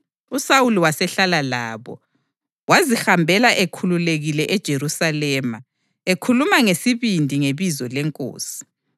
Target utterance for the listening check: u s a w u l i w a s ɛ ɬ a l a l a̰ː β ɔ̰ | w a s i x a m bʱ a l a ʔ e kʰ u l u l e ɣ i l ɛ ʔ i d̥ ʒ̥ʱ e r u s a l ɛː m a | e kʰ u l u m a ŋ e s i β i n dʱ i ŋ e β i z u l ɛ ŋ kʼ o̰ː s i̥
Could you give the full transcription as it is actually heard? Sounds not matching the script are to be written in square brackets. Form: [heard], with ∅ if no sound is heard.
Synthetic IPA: u s a w u l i w a s ɛ ɬ a l a l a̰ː β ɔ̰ | w a [z] i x a m bʱ [ɛ] l a ʔ e kʰ u l u l e ɣ i l ɛ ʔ [ɛ] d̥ ʒ̥ʱ e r u s a l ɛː m a | e kʰ u l u m a ŋ e s i β i n dʱ i ŋ e β i z [ɔ] l ɛ ŋ kʼ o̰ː s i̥